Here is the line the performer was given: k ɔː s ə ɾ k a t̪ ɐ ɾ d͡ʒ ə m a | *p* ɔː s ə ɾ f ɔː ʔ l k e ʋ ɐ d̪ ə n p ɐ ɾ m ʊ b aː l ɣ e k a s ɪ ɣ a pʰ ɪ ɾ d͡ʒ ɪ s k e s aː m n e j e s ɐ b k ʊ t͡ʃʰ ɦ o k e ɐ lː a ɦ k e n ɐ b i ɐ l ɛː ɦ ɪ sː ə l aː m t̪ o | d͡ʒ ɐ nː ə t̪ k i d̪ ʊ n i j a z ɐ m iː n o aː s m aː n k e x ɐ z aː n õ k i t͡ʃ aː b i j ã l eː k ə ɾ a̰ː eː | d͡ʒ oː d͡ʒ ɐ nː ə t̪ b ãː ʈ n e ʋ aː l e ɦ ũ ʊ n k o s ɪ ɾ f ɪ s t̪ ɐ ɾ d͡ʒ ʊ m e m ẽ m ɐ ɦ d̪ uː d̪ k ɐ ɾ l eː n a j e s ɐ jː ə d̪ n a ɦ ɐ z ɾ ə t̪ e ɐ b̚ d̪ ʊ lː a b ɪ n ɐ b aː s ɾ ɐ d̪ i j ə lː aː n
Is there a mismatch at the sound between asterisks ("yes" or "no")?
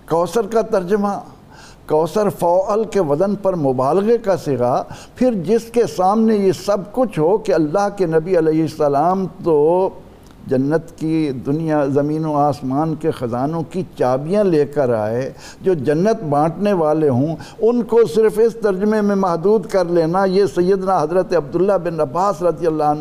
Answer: yes